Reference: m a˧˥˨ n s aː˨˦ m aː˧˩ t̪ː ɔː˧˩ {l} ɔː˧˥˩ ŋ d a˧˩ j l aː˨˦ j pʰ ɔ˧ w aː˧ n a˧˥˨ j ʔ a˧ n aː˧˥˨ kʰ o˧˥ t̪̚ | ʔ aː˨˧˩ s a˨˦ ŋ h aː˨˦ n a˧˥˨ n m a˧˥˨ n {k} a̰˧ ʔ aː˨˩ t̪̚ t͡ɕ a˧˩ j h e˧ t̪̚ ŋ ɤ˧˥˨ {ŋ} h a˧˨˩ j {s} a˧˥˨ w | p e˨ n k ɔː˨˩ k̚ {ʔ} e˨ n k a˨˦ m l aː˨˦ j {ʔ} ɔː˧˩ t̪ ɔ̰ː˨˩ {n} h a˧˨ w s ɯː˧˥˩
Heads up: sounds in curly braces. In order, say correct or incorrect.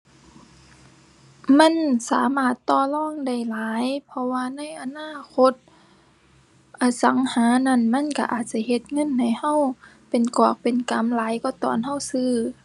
correct, correct, incorrect, incorrect, incorrect, incorrect, correct

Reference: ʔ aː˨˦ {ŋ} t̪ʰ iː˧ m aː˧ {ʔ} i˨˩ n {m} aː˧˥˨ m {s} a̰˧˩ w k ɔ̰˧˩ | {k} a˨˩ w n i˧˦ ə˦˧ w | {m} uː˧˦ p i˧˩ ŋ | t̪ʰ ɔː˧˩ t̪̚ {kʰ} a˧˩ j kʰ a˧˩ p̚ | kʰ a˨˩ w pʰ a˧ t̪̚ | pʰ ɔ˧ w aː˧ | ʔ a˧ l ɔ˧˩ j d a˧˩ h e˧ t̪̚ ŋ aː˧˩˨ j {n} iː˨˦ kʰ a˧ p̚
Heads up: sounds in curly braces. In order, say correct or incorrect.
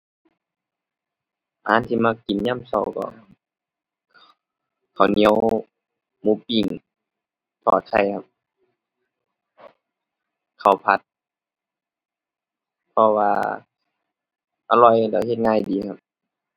incorrect, incorrect, incorrect, correct, incorrect, correct, correct, incorrect

